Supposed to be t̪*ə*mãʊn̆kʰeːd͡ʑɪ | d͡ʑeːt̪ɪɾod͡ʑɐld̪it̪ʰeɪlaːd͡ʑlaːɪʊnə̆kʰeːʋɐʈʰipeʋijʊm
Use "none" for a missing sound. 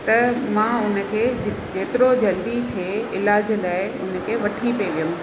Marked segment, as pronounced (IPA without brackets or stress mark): ɐ